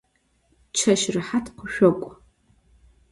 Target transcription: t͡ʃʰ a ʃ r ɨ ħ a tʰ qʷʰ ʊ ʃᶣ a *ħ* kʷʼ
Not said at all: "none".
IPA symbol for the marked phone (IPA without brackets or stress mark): none